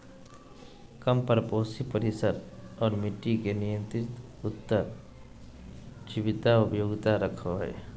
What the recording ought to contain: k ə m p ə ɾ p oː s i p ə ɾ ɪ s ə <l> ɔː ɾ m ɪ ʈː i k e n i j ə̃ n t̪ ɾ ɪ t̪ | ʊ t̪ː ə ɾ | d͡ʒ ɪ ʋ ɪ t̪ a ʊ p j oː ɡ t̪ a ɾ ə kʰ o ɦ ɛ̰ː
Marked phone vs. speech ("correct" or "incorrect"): incorrect